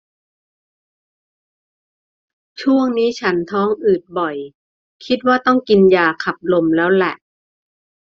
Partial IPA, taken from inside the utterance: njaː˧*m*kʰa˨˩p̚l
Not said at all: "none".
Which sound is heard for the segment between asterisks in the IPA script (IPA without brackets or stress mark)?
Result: none